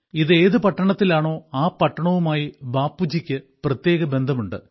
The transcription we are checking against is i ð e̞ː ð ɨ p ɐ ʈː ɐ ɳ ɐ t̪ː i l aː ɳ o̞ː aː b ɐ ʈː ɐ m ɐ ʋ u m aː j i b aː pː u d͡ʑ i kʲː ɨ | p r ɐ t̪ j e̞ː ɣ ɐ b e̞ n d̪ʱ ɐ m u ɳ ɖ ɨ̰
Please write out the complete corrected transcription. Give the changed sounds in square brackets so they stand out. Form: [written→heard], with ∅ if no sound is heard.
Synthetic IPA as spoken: i ð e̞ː ð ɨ p ɐ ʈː ɐ ɳ ɐ t̪ː i l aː ɳ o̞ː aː [b→p] ɐ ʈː ɐ [m→ɳ] ɐ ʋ u m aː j i b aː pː u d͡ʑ i kʲː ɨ | p r ɐ t̪ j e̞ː ɣ ɐ b e̞ n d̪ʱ ɐ m u ɳ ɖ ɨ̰